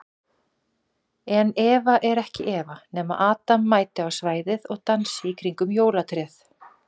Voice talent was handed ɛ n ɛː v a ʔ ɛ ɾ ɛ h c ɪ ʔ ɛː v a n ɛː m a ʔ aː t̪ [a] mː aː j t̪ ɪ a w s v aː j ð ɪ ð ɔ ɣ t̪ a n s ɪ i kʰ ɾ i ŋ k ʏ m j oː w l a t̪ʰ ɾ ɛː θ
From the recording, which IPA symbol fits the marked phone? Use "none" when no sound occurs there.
a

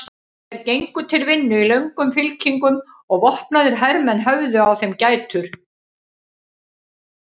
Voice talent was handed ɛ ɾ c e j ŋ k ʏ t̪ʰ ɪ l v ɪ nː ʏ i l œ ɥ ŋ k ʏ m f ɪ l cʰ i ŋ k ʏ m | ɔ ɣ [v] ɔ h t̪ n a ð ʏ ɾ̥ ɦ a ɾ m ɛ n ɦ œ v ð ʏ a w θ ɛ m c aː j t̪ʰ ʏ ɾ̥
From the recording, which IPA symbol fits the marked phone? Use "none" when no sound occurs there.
v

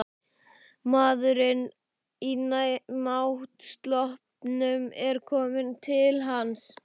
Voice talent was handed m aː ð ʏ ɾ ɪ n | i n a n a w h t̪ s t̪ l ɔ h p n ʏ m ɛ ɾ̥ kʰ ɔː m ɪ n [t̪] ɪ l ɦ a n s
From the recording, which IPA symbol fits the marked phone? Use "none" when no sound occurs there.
t̪ʰ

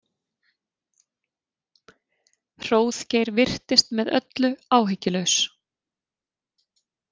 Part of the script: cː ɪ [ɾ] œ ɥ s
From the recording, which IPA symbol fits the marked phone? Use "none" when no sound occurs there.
l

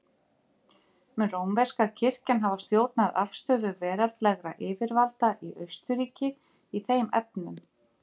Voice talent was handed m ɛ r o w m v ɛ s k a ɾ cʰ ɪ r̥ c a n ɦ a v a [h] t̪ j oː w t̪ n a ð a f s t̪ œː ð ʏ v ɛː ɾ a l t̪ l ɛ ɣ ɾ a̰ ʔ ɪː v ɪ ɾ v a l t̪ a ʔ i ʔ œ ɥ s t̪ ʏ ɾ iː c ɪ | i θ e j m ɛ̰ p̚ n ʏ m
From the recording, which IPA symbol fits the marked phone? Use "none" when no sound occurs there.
s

